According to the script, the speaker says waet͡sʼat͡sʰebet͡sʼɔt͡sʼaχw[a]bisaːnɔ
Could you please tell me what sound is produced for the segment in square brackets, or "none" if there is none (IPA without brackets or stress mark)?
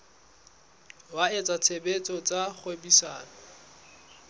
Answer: e